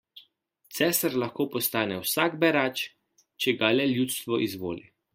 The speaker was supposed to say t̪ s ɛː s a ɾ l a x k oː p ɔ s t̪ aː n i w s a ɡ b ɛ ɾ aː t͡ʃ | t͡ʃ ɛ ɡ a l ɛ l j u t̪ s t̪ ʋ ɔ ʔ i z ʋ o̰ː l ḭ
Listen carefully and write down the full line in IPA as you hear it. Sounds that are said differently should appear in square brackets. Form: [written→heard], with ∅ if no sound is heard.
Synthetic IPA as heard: t̪ s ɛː s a ɾ l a x k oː p ɔ s t̪ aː n [i→ɛ] w s a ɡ b ɛ ɾ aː t͡ʃ | t͡ʃ ɛ ɡ a l ɛ l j u t̪ s t̪ ʋ ɔ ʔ i z ʋ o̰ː l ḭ